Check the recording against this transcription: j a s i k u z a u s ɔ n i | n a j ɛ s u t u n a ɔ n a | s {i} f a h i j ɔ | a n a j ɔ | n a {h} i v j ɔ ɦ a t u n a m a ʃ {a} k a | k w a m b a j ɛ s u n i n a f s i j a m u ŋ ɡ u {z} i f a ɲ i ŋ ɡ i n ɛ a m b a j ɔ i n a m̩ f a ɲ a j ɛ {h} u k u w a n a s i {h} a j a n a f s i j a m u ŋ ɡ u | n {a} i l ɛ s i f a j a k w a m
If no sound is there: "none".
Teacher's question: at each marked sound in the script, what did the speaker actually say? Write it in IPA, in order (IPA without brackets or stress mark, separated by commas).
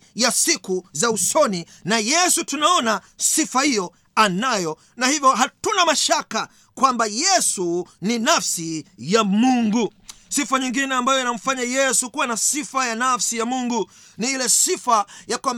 i, h, a, s, s, f, i